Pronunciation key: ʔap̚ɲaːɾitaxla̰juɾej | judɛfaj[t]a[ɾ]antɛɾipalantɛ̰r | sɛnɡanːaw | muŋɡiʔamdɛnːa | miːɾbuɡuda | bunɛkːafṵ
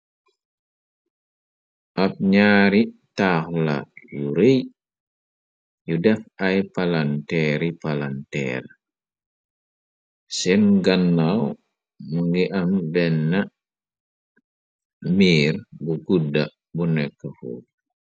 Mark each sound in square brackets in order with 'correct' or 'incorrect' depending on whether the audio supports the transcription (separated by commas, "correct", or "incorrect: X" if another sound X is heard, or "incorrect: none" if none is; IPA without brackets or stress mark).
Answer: incorrect: p, incorrect: l